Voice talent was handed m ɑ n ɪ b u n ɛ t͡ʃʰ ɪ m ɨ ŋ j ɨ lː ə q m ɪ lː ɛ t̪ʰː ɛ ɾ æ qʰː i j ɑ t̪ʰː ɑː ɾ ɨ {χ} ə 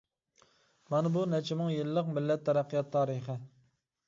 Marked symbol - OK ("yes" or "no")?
yes